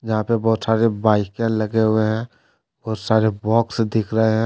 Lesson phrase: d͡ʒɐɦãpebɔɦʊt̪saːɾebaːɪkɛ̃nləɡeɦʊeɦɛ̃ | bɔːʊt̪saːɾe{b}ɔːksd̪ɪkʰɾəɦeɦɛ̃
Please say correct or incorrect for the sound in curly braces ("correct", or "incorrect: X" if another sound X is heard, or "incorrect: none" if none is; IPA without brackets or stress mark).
correct